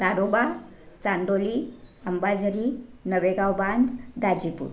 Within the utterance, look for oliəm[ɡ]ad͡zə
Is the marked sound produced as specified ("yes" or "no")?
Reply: no